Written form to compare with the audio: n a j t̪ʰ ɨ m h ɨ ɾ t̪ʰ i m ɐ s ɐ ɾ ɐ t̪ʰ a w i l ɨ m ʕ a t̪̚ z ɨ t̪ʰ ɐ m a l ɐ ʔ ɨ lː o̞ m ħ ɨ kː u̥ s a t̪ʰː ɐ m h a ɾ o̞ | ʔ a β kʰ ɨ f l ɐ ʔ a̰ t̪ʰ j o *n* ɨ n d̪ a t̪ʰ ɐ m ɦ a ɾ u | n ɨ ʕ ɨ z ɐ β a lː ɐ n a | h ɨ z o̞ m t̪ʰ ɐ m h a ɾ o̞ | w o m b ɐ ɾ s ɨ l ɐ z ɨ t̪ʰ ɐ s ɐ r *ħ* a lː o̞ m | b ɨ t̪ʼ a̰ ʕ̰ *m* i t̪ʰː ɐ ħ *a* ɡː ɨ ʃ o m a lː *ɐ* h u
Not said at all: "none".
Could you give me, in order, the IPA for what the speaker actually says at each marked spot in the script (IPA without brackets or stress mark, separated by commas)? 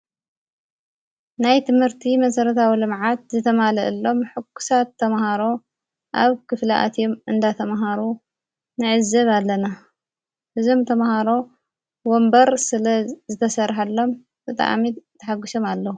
m, ħ, m, a, ɐ